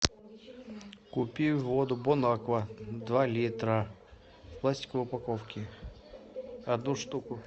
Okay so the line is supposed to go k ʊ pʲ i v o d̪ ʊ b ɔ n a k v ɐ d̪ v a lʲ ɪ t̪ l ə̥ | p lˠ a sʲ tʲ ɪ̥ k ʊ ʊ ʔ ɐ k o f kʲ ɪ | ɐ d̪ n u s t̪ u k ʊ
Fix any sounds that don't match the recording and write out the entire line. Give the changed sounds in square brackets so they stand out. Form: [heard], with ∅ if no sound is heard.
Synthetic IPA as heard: k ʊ pʲ i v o d̪ ʊ b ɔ n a k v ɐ d̪ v a lʲ [i] t̪ [ɾ] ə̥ | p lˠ a sʲ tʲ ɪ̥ k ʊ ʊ [p] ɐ k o f kʲ ɪ | ɐ d̪ n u [ʂ] t̪ u k ʊ